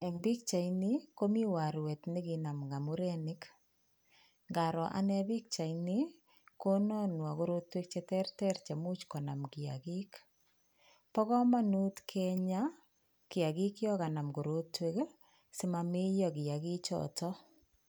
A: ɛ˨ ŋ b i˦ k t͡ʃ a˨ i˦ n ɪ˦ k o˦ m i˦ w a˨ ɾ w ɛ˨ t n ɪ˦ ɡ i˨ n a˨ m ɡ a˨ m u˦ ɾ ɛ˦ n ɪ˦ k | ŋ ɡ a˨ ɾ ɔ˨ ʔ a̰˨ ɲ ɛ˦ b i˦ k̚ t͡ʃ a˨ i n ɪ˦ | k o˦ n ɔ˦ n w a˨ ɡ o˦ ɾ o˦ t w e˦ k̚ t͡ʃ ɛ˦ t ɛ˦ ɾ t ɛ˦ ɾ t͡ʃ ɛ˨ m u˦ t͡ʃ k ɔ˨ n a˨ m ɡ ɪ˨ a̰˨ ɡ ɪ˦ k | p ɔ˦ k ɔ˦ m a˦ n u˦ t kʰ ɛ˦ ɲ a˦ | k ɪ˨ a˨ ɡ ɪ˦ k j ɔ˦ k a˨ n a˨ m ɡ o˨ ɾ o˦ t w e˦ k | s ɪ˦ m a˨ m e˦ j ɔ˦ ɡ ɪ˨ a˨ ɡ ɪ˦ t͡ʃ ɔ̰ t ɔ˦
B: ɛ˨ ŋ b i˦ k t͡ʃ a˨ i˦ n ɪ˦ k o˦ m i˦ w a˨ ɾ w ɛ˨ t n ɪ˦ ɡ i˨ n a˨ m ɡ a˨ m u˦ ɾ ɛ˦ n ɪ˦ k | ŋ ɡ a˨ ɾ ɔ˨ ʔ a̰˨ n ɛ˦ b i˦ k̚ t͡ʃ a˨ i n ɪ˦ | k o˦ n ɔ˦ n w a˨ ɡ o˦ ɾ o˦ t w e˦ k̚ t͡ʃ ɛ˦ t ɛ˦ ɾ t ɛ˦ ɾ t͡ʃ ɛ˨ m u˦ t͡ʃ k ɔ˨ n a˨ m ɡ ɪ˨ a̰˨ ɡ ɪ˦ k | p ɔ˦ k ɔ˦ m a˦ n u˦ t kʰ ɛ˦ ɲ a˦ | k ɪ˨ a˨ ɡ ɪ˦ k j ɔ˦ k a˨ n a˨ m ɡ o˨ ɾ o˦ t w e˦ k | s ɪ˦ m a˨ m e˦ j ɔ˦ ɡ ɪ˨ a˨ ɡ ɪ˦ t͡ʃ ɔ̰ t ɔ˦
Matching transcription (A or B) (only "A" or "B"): B